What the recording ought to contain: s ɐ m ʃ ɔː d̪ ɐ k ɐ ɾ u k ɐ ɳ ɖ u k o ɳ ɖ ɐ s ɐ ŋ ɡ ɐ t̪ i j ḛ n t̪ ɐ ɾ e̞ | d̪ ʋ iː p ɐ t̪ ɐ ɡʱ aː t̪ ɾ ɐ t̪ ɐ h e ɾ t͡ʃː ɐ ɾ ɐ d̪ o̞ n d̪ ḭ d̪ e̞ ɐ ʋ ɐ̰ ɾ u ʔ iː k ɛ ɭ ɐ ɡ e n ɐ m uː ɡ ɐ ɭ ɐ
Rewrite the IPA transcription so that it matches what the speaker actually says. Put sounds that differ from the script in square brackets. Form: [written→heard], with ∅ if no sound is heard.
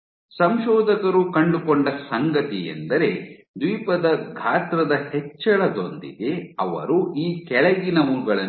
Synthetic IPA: s ɐ m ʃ ɔː d̪ ɐ k ɐ ɾ u k ɐ ɳ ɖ u k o ɳ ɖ ɐ s ɐ ŋ ɡ ɐ t̪ i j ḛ n [t̪→d̪] ɐ ɾ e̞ | d̪ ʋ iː p ɐ [t̪→d̪] ɐ ɡʱ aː t̪ ɾ ɐ [t̪→d̪] ɐ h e [ɾ→∅] t͡ʃː ɐ [ɾ→ɭ] ɐ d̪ o̞ n d̪ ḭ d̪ e̞ ɐ ʋ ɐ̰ ɾ u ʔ iː k ɛ ɭ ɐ ɡ [e→i] n ɐ m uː ɡ ɐ ɭ ɐ

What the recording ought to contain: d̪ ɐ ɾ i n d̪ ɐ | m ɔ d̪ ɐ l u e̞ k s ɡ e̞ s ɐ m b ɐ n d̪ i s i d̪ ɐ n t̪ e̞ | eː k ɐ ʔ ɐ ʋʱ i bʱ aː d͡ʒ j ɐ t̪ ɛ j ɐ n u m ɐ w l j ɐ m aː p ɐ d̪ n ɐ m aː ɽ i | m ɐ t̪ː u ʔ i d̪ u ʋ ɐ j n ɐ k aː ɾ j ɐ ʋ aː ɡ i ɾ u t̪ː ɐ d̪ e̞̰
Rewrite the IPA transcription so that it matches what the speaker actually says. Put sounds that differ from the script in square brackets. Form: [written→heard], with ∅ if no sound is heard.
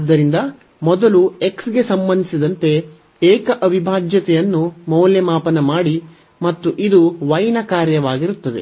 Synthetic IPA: [d̪→d̪ː] ɐ ɾ i n d̪ ɐ | m ɔ d̪ ɐ l u e̞ k s ɡ e̞ s ɐ m b ɐ n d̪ i s i d̪ ɐ n t̪ e̞ | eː k ɐ ʔ ɐ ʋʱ i bʱ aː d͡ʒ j ɐ t̪ ɛ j ɐ [n→nː] u m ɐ w l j ɐ m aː p ɐ [d̪→∅] n ɐ m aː ɽ i | m ɐ t̪ː u ʔ i d̪ u ʋ ɐ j n ɐ k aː ɾ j ɐ ʋ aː ɡ i ɾ u t̪ː ɐ d̪ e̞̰

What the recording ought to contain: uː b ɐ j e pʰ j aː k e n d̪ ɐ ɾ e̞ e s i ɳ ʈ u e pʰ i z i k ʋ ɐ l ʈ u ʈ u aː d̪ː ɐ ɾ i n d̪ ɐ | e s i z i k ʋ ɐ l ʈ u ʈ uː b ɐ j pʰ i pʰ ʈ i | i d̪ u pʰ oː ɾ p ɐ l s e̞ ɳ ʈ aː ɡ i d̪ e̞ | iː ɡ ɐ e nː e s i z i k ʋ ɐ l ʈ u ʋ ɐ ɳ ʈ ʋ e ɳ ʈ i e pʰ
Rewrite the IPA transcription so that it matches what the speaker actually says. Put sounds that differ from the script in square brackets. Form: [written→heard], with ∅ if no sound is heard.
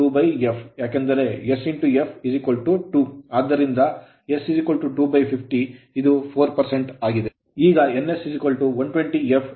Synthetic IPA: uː b ɐ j e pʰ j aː k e n d̪ ɐ ɾ e̞ e s i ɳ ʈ u e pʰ i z i k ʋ ɐ l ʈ u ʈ u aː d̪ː ɐ ɾ i n d̪ ɐ | e s i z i k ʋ ɐ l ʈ u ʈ uː b ɐ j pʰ i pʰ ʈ i | i d̪ u pʰ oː ɾ p ɐ [l→ɾ] s e̞ ɳ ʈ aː ɡ i d̪ e̞ | iː ɡ ɐ e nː e s i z i k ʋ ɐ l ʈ u ʋ ɐ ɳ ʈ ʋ e ɳ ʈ i e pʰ

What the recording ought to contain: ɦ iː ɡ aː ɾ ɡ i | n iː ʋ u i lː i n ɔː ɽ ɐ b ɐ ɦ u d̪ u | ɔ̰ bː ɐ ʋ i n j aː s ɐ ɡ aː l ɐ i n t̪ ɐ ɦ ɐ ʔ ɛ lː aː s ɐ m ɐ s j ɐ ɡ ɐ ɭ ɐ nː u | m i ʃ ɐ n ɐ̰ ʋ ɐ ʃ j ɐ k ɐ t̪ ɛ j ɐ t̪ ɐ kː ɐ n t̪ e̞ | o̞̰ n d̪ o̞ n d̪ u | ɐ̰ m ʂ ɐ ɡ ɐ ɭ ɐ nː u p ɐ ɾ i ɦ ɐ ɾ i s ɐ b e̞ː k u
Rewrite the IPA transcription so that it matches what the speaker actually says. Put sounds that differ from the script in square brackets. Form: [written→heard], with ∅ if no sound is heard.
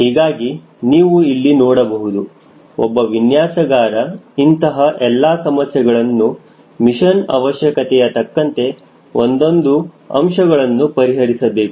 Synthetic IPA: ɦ iː ɡ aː [ɾ→∅] ɡ i | n iː ʋ u i lː i n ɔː ɽ ɐ b ɐ ɦ u d̪ u | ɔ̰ bː ɐ ʋ i n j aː s ɐ ɡ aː [l→ɾ] ɐ i n t̪ ɐ ɦ ɐ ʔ ɛ lː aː s ɐ m ɐ s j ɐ ɡ ɐ ɭ ɐ nː u | m i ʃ ɐ n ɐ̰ ʋ ɐ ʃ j ɐ k ɐ t̪ ɛ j ɐ t̪ ɐ kː ɐ n t̪ e̞ | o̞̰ n d̪ o̞ n d̪ u | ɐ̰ m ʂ ɐ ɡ ɐ ɭ ɐ nː u p ɐ ɾ i ɦ ɐ ɾ i s ɐ b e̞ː k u

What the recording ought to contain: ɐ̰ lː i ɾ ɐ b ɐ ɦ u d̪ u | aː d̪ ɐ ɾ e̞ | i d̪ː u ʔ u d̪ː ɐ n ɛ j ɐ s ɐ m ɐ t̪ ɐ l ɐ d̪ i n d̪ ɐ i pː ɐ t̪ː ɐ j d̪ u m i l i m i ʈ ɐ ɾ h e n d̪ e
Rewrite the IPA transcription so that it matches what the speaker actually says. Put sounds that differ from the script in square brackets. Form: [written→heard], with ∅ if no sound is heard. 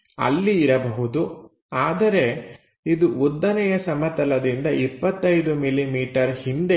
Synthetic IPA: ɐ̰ lː [i→iː] ɾ ɐ b ɐ ɦ u d̪ u | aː d̪ ɐ ɾ e̞ | i [d̪ː→d̪] u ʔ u d̪ː ɐ n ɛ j ɐ s ɐ m ɐ t̪ ɐ l ɐ d̪ i n d̪ ɐ i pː ɐ t̪ː ɐ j d̪ u m i l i m [i→iː] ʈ ɐ ɾ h [e→i] n d̪ e

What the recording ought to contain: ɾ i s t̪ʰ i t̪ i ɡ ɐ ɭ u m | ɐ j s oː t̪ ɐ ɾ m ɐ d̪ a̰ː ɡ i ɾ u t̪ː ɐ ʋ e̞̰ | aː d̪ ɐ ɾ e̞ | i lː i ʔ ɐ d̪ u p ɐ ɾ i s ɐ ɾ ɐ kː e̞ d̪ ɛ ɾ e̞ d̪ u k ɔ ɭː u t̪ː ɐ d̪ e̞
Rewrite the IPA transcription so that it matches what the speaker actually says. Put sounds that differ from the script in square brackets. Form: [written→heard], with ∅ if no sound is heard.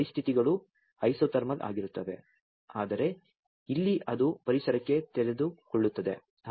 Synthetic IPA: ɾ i s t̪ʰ i t̪ i ɡ ɐ ɭ u [m→∅] | ɐ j s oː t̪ ɐ ɾ m ɐ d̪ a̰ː ɡ i ɾ u t̪ː ɐ ʋ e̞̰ | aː d̪ ɐ ɾ e̞ | i lː i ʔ ɐ d̪ u p ɐ ɾ i s ɐ ɾ ɐ kː e̞ [d̪→t̪] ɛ ɾ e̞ d̪ u k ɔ ɭː u t̪ː ɐ d̪ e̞

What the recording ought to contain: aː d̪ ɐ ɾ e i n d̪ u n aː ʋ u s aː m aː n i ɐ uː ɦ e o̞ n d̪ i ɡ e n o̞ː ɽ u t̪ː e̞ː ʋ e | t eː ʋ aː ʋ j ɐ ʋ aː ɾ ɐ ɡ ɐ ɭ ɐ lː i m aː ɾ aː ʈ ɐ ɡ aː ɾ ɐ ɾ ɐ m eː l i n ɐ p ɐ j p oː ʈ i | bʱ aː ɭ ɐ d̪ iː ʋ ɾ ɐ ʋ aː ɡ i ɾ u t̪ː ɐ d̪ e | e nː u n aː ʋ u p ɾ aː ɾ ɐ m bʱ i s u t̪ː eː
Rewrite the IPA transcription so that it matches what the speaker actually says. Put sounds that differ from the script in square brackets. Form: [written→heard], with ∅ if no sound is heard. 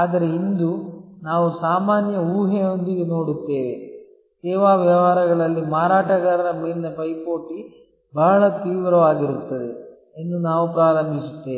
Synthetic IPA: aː d̪ ɐ ɾ e i n d̪ u n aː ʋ u s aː m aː n [i→j] ɐ uː ɦ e o̞ n d̪ i ɡ e n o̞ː ɽ u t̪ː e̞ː ʋ e | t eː ʋ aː ʋ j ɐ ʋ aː ɾ ɐ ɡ ɐ ɭ ɐ lː i m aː ɾ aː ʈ ɐ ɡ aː ɾ ɐ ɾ ɐ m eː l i n ɐ p ɐ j p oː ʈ i | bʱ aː ɭ ɐ [d̪→t̪] iː ʋ ɾ ɐ ʋ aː ɡ i ɾ u t̪ː ɐ d̪ e | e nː u n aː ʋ u p ɾ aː ɾ ɐ m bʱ i s u t̪ː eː

